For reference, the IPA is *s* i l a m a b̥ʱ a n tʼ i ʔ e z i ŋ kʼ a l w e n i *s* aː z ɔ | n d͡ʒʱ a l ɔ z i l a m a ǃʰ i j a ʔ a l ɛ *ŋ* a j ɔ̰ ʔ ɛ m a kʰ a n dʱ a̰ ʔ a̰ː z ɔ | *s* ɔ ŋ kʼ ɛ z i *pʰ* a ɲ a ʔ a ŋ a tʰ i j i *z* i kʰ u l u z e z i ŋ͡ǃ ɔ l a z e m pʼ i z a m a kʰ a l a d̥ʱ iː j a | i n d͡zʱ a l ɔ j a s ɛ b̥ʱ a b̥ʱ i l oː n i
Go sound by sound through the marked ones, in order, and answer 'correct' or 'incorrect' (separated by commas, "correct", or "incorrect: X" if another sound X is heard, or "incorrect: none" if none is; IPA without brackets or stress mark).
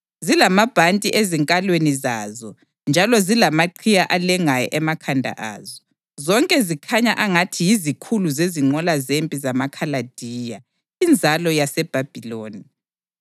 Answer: incorrect: z, incorrect: z, correct, incorrect: z, incorrect: kʰ, correct